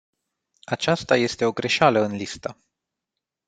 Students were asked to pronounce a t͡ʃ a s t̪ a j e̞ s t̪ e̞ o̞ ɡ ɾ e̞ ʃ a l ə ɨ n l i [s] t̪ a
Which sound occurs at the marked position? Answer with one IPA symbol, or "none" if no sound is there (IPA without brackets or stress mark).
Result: s